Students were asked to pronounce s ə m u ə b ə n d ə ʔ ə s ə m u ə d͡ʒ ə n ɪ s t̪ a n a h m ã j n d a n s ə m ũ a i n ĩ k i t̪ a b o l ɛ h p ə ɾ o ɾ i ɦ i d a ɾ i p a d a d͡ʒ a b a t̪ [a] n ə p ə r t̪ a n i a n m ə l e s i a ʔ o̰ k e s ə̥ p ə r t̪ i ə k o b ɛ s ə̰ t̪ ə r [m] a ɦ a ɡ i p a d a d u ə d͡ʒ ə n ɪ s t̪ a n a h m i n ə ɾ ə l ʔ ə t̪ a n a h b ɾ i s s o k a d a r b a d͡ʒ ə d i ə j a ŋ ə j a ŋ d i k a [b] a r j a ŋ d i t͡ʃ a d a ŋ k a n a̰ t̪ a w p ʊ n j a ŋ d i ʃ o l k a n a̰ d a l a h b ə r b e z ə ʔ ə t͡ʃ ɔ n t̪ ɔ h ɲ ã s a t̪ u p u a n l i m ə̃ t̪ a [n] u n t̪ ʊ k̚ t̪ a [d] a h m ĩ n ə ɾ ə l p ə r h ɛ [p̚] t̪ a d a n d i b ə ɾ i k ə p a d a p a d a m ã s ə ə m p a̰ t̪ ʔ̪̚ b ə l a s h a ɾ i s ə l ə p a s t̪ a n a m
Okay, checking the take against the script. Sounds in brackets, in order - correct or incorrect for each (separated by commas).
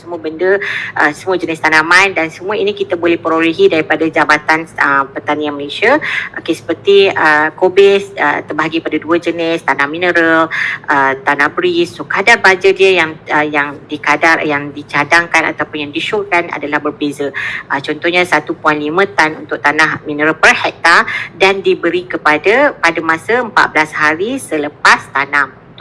correct, incorrect, incorrect, correct, incorrect, incorrect